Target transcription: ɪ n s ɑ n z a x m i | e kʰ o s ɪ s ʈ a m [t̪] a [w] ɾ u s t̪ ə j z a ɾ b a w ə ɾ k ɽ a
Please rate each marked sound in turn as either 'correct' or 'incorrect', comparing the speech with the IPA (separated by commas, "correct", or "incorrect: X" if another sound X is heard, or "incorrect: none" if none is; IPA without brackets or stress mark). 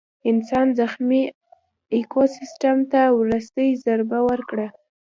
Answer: correct, correct